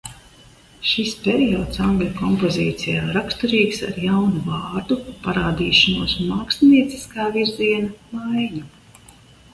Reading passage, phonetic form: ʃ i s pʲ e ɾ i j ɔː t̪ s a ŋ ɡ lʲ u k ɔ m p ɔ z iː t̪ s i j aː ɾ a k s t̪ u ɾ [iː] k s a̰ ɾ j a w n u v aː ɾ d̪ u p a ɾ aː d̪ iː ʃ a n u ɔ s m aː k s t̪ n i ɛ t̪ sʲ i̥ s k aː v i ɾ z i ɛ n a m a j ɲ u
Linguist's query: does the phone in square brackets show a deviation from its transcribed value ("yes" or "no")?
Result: no